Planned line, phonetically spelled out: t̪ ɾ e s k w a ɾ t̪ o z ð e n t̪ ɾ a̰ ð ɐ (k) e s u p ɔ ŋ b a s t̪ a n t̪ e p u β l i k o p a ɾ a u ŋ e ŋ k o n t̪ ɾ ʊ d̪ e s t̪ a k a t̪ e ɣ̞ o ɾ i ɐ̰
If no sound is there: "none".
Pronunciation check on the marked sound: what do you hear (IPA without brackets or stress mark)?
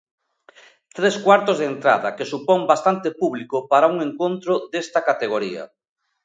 k